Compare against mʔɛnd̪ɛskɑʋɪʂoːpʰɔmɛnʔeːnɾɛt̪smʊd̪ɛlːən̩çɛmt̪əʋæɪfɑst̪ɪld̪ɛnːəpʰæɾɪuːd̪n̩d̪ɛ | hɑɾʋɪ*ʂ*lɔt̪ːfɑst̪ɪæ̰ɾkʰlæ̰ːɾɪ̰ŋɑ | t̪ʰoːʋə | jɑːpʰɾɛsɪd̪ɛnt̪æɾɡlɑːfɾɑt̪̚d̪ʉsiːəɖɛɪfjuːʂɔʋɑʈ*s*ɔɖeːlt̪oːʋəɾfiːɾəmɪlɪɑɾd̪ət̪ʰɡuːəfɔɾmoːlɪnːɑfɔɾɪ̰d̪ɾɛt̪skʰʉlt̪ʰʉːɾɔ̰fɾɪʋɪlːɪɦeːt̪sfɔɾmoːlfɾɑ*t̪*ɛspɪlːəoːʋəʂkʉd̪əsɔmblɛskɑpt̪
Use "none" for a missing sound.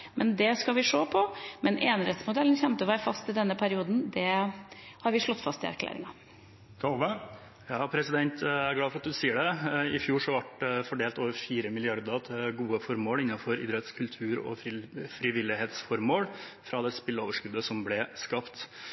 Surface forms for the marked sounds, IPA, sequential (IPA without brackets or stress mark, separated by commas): ʂ, f, d̪